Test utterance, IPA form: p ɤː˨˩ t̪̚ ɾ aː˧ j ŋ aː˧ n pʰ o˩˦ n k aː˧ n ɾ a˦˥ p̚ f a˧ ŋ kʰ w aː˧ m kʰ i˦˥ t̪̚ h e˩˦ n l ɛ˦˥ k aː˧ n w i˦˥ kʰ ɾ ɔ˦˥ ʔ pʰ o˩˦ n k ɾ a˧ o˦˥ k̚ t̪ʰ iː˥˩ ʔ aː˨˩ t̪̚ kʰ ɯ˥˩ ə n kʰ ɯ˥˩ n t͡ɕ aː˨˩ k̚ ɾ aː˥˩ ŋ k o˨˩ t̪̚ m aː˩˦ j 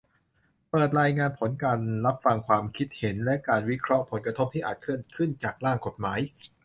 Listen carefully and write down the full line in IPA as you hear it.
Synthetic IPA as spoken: p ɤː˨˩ t̪̚ ɾ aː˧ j ŋ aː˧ n pʰ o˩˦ n k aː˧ n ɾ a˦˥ p̚ f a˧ ŋ kʰ w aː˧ m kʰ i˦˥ t̪̚ h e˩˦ n l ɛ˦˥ k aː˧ n w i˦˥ kʰ ɾ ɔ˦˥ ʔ pʰ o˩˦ n k ɾ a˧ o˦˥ p̚ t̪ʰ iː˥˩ ʔ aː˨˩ t̪̚ kʰ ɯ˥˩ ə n kʰ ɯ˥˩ n t͡ɕ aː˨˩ k̚ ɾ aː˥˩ ŋ k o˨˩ t̪̚ m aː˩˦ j